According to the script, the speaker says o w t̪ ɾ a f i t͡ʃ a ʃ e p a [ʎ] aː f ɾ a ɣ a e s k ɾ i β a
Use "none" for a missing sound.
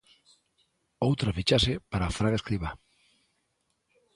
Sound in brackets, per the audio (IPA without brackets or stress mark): ɾ